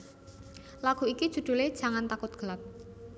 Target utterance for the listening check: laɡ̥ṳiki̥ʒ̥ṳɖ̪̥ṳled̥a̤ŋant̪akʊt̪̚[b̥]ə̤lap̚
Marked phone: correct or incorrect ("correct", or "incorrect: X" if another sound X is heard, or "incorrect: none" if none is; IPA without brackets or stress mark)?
incorrect: ɡ̥